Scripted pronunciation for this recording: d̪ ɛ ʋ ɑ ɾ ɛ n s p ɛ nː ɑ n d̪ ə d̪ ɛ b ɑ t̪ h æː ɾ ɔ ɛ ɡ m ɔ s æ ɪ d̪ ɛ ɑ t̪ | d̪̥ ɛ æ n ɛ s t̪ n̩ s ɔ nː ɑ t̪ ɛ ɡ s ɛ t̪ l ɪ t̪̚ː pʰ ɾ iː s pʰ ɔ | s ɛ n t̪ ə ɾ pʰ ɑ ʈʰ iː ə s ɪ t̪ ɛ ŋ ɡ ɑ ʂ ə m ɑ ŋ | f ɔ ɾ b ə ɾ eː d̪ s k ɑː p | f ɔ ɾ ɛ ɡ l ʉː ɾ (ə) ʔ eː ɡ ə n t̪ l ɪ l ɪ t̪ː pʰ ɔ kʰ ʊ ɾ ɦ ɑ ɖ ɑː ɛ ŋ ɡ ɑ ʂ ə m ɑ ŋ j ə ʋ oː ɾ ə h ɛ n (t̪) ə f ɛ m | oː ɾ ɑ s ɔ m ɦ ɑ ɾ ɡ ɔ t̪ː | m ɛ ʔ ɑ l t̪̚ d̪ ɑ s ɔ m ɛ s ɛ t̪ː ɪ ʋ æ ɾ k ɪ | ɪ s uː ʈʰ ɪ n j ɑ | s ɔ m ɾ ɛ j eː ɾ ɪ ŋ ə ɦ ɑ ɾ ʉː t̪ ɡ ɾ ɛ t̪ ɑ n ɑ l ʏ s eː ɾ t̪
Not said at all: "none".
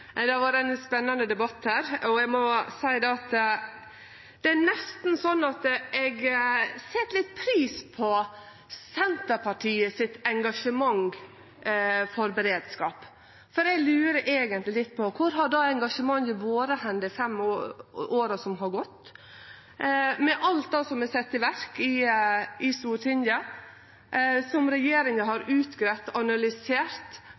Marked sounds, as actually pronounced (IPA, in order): ə, d̪

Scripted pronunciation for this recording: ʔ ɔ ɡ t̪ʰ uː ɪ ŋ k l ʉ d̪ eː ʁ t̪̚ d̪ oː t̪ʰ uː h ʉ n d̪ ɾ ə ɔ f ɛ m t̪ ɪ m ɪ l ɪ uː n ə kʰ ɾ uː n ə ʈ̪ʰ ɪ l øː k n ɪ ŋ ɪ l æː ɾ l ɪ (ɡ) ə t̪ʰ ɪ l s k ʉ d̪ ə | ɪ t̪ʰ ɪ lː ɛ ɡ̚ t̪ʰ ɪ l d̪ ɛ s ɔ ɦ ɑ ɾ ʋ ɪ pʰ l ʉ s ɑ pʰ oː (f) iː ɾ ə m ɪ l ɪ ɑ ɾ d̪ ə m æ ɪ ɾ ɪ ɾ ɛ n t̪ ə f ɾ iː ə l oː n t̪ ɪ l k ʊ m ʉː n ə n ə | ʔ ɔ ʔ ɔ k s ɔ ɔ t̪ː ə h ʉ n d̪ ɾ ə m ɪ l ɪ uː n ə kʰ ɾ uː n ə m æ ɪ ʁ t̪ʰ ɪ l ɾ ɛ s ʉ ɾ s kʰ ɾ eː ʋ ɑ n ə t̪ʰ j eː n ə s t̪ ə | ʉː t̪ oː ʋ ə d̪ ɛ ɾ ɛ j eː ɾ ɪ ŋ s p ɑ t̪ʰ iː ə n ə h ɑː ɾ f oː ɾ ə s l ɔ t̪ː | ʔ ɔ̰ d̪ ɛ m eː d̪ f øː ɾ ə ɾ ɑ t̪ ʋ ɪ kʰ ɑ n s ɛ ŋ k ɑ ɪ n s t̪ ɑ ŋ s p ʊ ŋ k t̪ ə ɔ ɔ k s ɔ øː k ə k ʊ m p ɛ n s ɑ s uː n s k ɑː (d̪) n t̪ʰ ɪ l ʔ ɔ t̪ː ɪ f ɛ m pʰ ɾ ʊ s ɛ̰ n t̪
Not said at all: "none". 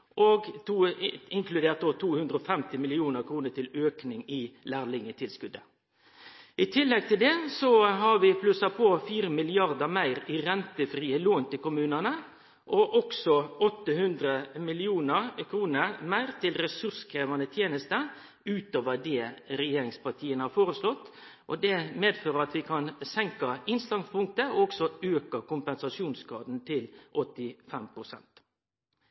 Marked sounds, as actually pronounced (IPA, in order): ŋ, f, d̪

